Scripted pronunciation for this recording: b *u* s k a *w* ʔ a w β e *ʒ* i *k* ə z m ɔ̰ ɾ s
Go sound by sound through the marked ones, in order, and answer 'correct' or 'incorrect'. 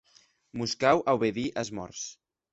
correct, correct, incorrect: ð, incorrect: ʔ

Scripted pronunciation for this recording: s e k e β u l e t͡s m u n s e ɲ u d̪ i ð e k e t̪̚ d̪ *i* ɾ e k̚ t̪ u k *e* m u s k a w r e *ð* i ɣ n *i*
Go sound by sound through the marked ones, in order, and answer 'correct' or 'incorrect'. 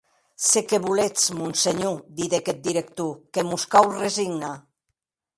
correct, correct, incorrect: z, incorrect: a

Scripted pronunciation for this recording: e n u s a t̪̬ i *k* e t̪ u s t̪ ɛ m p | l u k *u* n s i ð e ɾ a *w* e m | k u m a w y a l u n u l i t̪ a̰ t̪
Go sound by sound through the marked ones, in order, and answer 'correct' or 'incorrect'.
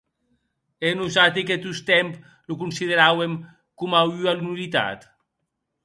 correct, correct, correct

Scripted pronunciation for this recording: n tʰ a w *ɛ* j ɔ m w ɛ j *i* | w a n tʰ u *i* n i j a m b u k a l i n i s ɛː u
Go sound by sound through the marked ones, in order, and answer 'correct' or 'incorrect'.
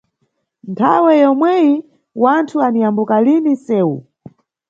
correct, correct, incorrect: a

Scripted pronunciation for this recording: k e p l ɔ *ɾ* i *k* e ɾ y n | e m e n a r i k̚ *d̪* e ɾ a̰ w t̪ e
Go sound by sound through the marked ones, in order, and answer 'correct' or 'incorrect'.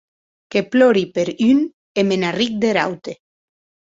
correct, incorrect: p, correct

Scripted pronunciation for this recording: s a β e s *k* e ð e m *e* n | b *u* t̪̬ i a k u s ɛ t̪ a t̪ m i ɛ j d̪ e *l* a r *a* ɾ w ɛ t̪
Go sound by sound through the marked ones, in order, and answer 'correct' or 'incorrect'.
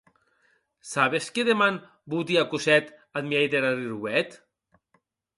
correct, incorrect: a, correct, incorrect: ɾ, incorrect: i

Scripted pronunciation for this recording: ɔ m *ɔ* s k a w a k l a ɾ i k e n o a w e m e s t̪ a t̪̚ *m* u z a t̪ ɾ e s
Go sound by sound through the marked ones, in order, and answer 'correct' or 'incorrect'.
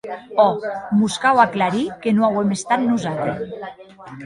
incorrect: u, incorrect: n

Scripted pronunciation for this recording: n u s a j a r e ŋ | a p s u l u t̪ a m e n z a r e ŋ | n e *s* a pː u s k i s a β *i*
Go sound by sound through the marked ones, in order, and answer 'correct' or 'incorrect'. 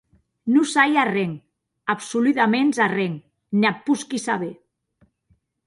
incorrect: none, incorrect: e

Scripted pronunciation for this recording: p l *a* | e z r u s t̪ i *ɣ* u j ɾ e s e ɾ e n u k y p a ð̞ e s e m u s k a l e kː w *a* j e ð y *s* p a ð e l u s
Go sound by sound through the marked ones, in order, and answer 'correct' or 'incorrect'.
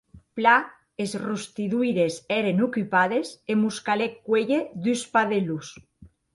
correct, incorrect: ð, incorrect: e, correct

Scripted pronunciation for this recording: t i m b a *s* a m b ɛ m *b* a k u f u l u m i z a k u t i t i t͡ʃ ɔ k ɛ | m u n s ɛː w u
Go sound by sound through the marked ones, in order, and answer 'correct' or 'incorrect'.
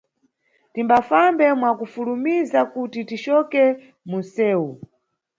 incorrect: f, incorrect: w

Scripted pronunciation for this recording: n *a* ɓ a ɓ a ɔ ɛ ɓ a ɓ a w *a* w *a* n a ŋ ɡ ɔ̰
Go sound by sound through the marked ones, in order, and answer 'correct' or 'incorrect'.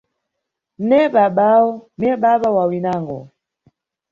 incorrect: ɛ, correct, incorrect: i

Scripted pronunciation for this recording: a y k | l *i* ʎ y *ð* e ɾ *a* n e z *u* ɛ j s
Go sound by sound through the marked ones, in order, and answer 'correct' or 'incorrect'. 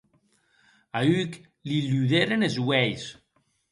correct, correct, incorrect: e, incorrect: w

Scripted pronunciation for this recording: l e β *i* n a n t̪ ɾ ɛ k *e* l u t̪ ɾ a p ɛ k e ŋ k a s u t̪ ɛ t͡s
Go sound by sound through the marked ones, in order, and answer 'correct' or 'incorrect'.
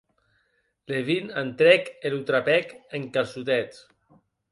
correct, correct

